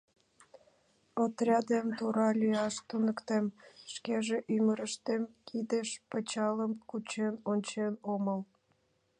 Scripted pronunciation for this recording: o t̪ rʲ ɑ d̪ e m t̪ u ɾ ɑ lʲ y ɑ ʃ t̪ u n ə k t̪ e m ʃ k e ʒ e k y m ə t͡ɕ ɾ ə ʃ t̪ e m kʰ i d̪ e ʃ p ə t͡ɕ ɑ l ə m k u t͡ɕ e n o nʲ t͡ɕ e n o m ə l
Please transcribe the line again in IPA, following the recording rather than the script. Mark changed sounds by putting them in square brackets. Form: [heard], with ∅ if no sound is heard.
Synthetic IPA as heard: o t̪ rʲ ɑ d̪ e m t̪ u ɾ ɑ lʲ y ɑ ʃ t̪ u n ə k t̪ e m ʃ k e ʒ e [ʔ] y m ə [∅] ɾ ə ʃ t̪ e m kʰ i d̪ e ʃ p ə t͡ɕ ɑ l ə m k u t͡ɕ e n o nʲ t͡ɕ e n o m ə l

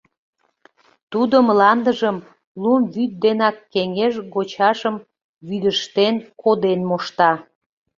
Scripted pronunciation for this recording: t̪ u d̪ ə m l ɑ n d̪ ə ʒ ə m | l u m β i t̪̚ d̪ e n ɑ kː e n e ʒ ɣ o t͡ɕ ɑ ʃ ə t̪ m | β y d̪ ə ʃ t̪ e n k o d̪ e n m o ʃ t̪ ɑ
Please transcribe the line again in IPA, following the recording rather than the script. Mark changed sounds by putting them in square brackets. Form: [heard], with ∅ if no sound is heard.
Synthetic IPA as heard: t̪ u d̪ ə m l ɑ n d̪ ə ʒ ə m | l u m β [y] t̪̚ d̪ e n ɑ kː e [ŋ] e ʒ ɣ o t͡ɕ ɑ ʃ ə [∅] m | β y d̪ ə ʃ t̪ e n k o d̪ e n m o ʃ t̪ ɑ

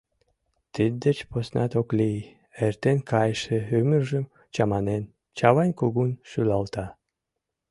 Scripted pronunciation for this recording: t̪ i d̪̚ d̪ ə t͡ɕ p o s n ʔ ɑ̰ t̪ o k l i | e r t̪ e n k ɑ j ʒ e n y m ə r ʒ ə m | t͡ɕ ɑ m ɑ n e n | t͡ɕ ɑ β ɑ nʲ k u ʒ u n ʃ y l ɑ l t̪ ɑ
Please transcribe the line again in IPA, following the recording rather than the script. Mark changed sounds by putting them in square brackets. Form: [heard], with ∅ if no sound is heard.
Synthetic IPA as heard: t̪ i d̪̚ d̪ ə t͡ɕ p o s n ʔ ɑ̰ t̪ o k l i | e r t̪ e n k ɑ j [ʃ] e [∅] y m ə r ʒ ə m | t͡ɕ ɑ m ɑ n e n | t͡ɕ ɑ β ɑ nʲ k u [ɣ] u n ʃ y l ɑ l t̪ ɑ

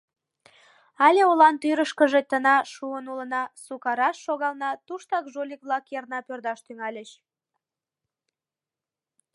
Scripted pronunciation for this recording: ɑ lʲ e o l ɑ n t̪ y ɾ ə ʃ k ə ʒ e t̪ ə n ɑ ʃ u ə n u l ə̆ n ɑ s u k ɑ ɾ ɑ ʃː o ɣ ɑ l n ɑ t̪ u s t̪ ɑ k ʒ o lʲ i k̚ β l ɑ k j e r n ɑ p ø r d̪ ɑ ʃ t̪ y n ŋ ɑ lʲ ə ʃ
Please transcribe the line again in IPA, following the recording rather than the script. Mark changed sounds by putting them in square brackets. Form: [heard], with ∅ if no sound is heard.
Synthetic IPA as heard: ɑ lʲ e o l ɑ n t̪ y ɾ ə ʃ k ə ʒ e t̪ ə n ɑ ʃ u ə n u l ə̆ n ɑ s u k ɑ ɾ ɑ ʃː o ɣ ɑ l n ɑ t̪ u [ʃ] t̪ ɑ k ʒ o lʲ i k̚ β l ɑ k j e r n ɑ p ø r d̪ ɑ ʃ t̪ y [∅] ŋ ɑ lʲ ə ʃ

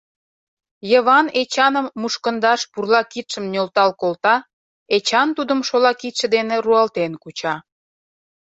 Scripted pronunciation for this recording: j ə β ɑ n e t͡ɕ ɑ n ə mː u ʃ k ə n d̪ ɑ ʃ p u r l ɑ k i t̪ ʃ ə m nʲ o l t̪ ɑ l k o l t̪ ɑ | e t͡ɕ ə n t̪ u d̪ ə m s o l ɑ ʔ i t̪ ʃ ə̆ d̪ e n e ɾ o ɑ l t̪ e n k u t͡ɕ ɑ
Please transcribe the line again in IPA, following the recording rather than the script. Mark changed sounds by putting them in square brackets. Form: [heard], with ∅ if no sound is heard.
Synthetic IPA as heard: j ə β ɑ n e t͡ɕ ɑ n ə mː u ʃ k ə n d̪ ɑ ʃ p u r l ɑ k i t̪ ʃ ə m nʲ o l t̪ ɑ l k o l t̪ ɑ | e t͡ɕ [ɑ] n t̪ u d̪ ə m [ʃ] o l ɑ [k] i t̪ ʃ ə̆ d̪ e n e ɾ [u] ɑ l t̪ e n k u t͡ɕ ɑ

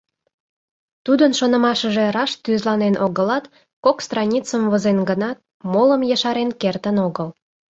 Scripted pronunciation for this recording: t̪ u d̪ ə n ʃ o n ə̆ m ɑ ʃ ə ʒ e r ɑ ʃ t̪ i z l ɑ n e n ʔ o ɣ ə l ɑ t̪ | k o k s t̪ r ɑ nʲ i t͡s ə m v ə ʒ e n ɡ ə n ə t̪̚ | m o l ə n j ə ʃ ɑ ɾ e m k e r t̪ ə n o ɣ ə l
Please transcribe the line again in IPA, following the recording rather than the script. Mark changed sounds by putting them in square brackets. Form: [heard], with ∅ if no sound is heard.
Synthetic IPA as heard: t̪ u d̪ ə n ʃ o n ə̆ m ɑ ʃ ə ʒ e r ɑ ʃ t̪ [y] z l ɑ n e n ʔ o ɣ ə l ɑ t̪ | k o k s t̪ r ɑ nʲ i t͡s ə m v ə [z] e n ɡ ə n [ɑ] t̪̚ | m o l ə [m] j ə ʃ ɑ ɾ e [n] k e r t̪ ə n o ɣ ə l

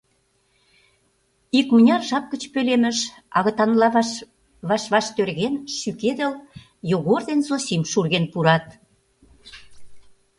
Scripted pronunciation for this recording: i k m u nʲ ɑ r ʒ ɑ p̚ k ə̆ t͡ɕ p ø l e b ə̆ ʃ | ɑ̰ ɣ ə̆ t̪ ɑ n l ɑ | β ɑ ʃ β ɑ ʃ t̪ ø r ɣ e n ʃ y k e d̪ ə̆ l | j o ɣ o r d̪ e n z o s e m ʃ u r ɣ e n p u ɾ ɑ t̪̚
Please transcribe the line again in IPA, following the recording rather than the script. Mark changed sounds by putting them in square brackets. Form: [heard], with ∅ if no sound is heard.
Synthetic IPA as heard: i k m u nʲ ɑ r ʒ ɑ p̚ k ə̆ t͡ɕ p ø l e [m] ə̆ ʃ | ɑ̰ ɣ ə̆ t̪ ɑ n l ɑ | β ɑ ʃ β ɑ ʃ t̪ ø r ɣ e n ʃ y k e d̪ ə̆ l | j o ɣ o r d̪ e n z o s [i] m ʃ u r ɣ e n p u ɾ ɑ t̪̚

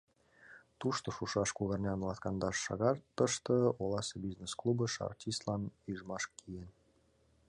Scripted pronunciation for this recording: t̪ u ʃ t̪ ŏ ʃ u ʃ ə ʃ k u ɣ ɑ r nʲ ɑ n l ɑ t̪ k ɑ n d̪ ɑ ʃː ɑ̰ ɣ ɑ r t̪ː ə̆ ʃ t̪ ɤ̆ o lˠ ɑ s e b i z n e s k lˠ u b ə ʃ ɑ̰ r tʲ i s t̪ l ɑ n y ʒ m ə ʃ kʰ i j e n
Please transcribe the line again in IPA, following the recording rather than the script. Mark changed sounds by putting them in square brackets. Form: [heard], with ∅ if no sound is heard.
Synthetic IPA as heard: t̪ u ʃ t̪ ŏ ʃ u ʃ [ɑ] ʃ k u ɣ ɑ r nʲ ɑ n l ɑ t̪ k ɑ n d̪ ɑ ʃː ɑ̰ ɣ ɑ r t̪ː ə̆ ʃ t̪ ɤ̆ o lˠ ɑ s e b i z n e s k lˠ u b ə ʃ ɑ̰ r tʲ i s t̪ l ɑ n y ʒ m [ɑ] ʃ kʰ i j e n

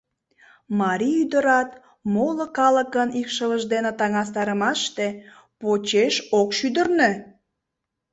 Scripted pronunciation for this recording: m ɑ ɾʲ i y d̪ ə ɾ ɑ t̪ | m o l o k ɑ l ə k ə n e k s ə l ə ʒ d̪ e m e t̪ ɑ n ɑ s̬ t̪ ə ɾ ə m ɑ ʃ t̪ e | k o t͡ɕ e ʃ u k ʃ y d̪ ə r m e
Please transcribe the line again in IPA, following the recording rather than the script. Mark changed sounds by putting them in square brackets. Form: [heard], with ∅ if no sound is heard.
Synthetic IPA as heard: m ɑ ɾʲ i y d̪ ə ɾ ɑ t̪ | m o l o k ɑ l ə k ə n [i] k [ʃ] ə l ə ʒ d̪ e [n] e t̪ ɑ [ŋ] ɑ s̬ t̪ [ɑ] ɾ ə m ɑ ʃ t̪ e | [p] o t͡ɕ e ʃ [o] k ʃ y d̪ ə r [n] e

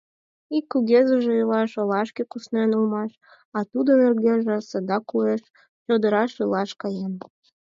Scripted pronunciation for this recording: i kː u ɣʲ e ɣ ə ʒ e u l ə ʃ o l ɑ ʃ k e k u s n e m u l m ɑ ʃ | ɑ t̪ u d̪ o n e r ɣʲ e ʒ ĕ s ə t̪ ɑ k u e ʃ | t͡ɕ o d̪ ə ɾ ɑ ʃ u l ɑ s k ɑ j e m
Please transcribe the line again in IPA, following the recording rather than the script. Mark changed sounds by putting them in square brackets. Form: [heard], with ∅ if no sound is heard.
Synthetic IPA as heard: i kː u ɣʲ e [z] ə ʒ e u l [ɑ] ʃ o l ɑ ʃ k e k u s n e [n] u l m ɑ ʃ | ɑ t̪ u d̪ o n e r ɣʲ e ʒ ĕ s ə [d̪] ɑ k u e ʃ | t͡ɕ o d̪ ə ɾ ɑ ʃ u l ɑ [ʃ] k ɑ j e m

